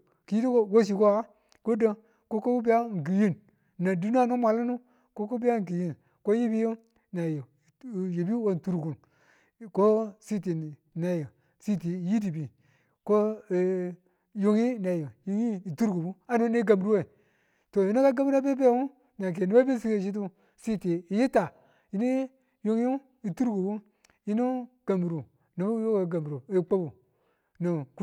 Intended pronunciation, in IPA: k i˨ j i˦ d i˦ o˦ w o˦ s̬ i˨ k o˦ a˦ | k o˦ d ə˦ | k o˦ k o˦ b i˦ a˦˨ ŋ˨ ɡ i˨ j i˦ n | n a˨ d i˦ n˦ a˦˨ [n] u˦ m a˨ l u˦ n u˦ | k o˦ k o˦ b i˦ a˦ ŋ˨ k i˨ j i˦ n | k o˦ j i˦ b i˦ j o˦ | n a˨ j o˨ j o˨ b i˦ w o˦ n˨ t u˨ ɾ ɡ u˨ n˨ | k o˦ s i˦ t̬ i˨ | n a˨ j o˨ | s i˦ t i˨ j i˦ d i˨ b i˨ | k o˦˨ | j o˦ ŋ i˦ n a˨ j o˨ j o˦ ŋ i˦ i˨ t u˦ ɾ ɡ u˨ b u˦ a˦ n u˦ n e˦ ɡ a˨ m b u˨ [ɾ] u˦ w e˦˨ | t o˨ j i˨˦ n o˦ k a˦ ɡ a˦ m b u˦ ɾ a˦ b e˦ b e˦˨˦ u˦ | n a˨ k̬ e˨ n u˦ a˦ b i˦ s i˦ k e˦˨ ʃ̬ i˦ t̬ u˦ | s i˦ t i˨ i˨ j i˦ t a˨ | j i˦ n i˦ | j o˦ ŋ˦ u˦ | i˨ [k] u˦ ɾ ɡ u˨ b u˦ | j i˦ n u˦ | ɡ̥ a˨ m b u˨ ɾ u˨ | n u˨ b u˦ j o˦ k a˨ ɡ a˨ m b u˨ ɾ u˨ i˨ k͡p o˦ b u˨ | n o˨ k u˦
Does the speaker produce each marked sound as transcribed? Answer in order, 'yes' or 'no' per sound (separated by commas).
yes, yes, no